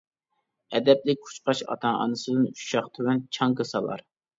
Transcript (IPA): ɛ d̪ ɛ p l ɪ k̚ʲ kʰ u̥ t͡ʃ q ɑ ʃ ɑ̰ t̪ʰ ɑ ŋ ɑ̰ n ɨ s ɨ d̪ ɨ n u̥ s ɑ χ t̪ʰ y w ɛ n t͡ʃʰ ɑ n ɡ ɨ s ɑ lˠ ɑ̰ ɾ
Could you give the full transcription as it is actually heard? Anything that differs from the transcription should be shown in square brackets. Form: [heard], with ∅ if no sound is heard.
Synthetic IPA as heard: ɛ d̪ ɛ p l ɪ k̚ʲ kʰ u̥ t͡ʃ q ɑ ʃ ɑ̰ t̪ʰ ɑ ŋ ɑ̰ n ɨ s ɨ d̪ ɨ n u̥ [ʃ] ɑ χ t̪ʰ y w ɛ n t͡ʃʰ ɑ [ŋ] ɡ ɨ s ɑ lˠ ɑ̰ ɾ